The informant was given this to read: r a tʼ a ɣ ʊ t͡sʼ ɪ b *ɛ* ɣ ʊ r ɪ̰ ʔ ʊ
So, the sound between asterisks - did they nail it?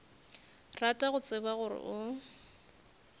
no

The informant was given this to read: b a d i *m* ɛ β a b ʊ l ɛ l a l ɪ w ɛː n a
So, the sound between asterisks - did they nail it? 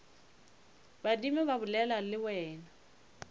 yes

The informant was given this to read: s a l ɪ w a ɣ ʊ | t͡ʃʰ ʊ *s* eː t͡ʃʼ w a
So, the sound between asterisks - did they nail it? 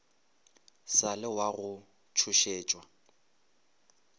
no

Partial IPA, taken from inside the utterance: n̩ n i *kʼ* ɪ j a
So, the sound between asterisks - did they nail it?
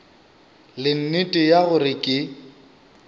no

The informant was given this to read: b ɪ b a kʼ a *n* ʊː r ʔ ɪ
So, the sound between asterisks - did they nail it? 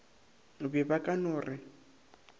yes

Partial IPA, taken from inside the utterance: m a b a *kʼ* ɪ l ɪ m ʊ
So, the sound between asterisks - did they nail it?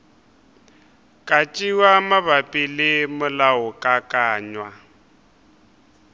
no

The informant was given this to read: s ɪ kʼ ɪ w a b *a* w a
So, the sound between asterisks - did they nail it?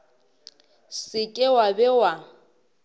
no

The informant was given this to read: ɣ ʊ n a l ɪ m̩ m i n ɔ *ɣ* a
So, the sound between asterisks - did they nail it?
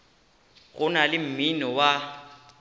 no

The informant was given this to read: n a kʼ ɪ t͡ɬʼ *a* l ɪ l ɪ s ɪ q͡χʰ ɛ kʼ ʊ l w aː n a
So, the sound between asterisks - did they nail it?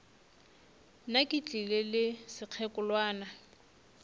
no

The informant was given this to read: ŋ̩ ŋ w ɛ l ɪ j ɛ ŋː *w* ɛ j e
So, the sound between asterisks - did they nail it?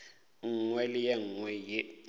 yes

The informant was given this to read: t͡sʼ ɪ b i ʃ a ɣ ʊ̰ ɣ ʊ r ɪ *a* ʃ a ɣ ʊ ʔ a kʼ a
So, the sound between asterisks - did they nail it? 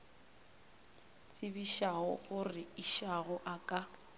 no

